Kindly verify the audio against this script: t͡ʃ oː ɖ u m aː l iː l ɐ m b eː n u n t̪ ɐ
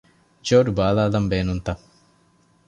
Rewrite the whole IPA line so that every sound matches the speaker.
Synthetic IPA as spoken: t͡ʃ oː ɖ u b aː l aː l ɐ m b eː n u n t̪ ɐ